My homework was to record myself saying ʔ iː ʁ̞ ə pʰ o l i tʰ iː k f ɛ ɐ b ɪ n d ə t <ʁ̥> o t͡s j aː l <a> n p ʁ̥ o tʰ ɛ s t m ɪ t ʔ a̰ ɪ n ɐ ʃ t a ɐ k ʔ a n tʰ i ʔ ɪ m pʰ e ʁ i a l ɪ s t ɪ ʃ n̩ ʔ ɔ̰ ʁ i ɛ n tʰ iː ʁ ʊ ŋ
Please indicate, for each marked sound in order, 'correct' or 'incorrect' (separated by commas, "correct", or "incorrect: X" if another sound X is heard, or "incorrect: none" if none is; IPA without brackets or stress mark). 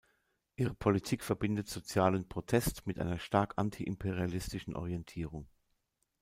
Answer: incorrect: z̥, incorrect: ə